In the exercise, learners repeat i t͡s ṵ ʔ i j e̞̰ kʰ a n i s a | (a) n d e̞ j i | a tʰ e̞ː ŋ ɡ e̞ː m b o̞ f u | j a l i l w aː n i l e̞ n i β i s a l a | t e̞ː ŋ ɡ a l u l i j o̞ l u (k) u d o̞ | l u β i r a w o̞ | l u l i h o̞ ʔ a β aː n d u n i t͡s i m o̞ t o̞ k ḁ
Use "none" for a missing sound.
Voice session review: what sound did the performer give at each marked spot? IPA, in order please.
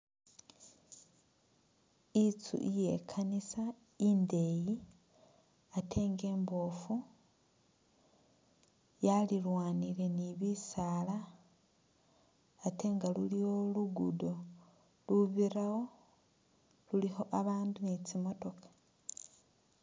i, ɡ

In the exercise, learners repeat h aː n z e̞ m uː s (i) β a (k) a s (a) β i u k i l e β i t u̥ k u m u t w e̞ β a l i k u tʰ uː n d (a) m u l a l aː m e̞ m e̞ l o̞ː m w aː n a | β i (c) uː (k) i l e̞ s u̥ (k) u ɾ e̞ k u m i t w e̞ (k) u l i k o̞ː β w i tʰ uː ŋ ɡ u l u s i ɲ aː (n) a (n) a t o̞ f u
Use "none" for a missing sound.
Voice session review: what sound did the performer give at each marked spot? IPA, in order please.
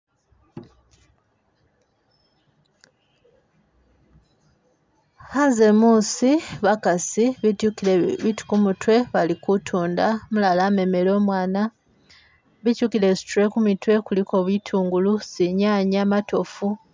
i, k, i, a, c, k, t, k, ɲ, m

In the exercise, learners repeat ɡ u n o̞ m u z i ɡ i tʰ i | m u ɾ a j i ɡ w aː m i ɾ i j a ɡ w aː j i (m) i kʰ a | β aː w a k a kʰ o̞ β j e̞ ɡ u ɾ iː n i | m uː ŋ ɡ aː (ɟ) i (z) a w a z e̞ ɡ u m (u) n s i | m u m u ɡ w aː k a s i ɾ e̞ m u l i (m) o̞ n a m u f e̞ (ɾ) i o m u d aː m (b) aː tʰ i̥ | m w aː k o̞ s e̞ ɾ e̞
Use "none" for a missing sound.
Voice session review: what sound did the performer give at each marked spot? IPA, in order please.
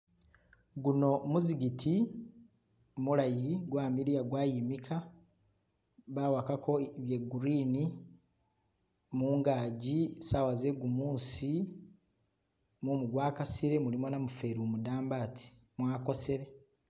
m, ɟ, s, uː, m, ɾ, b

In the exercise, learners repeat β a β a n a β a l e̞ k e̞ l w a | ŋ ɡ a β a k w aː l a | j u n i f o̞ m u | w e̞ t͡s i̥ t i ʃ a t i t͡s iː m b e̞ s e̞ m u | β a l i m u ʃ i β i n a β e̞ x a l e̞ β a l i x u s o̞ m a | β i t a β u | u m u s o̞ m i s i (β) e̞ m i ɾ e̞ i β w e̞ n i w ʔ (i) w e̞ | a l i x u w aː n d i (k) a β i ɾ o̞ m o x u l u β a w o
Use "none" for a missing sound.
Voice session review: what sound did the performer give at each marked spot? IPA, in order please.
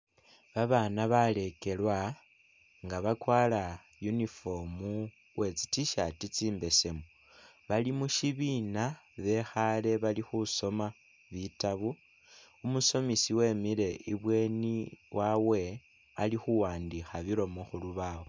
w, a, x

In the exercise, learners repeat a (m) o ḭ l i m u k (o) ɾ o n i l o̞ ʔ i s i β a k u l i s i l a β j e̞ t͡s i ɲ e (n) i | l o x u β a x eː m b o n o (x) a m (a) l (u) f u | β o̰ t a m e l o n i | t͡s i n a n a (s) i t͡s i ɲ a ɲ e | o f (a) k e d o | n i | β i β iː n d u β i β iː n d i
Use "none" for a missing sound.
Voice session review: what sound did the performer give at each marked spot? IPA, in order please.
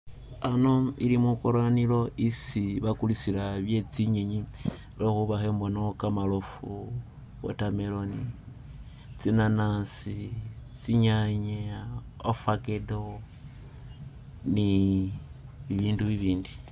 n, o, ɲ, k, a, o, s, a

